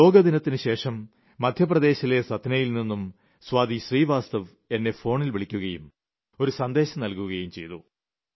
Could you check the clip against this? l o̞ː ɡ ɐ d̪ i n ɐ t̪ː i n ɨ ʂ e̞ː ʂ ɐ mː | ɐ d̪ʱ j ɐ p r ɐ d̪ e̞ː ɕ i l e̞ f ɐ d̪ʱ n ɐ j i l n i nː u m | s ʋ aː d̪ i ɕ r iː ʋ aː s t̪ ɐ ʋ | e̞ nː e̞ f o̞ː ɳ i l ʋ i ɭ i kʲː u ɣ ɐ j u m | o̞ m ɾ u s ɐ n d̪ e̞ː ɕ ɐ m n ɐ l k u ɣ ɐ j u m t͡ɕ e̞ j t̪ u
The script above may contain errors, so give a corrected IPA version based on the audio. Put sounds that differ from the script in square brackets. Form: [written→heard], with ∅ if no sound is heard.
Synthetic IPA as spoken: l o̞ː ɡ ɐ d̪ i n ɐ t̪ː i n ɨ [ʂ→ɕ] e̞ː ʂ ɐ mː | ɐ d̪ʱ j ɐ p r ɐ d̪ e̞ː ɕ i l e̞ [f→s] ɐ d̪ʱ n ɐ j i l n i nː u m | s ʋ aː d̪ i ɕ r iː ʋ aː s t̪ ɐ ʋ | e̞ nː e̞ f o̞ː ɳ i l ʋ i ɭ i kʲː u ɣ ɐ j u m | o̞ [m→∅] ɾ u s ɐ n d̪ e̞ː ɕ ɐ m n ɐ l k u ɣ ɐ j u m t͡ɕ e̞ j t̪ u